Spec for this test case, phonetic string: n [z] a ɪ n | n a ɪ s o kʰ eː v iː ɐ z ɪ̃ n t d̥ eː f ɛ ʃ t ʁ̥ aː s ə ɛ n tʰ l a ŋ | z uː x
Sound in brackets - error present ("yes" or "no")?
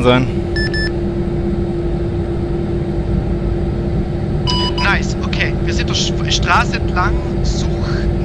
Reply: no